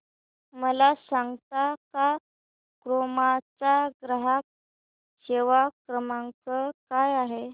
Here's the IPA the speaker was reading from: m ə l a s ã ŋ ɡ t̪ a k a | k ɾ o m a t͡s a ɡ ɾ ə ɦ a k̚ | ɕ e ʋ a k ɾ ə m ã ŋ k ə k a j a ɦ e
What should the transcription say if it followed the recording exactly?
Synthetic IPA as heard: m ə l a s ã ŋ ɡ t̪ a k a | k ɾ o m a t͡s a ɡ ɾ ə ɦ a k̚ | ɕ e ʋ a k ɾ ə m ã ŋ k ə k a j a ɦ e